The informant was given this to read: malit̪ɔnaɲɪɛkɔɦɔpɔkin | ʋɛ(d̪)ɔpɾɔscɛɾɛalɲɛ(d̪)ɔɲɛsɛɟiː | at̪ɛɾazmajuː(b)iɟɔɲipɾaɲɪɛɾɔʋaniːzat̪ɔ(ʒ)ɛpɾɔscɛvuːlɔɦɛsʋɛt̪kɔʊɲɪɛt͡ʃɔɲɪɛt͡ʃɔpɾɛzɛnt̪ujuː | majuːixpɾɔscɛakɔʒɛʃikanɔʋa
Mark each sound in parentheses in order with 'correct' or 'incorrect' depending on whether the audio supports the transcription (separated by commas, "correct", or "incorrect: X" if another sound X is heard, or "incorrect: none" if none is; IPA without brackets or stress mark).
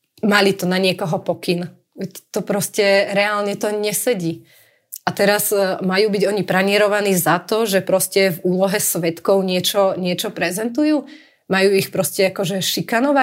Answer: incorrect: t̪, incorrect: t̪, correct, correct